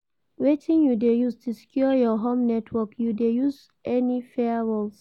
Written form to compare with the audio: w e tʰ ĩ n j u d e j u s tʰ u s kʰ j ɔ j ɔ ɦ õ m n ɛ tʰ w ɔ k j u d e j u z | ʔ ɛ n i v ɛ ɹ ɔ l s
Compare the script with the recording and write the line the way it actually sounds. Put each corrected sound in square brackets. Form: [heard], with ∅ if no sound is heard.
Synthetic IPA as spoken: w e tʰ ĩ n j u d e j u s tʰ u s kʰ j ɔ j ɔ ɦ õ m n ɛ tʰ w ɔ k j u d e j u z | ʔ ɛ n i [f] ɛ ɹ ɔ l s